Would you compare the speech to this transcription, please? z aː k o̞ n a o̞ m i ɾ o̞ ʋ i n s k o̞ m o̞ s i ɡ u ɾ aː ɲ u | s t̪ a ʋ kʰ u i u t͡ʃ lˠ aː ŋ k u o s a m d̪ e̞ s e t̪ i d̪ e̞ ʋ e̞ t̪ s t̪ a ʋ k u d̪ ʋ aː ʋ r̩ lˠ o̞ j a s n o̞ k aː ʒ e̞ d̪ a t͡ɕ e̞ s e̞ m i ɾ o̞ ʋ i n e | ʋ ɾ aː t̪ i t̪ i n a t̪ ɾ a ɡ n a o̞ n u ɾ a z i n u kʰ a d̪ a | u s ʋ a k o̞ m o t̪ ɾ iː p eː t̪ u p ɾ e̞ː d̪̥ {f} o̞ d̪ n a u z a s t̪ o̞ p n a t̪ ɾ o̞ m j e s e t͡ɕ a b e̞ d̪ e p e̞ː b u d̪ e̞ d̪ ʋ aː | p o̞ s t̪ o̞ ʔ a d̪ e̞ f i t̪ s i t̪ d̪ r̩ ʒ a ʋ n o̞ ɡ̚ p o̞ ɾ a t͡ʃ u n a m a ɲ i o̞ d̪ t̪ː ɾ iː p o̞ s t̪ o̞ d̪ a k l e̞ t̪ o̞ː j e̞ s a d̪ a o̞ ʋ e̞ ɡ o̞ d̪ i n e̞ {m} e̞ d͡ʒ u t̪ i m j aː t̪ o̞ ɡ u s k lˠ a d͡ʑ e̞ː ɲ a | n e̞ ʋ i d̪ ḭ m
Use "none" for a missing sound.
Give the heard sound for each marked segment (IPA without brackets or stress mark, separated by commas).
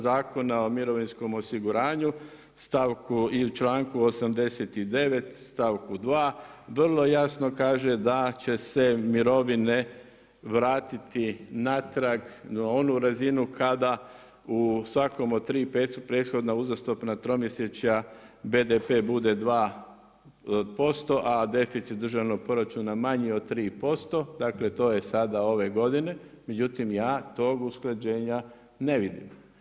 x, m